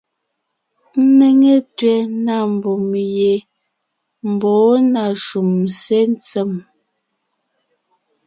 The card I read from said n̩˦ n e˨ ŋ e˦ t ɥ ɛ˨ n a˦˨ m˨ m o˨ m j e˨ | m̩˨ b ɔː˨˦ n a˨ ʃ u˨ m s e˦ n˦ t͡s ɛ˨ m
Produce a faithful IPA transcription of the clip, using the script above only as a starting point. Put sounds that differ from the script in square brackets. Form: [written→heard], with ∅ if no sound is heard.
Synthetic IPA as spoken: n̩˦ n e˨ ŋ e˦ t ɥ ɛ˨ n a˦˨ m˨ [m→b] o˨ m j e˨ | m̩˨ b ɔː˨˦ n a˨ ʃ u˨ m s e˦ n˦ t͡s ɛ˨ m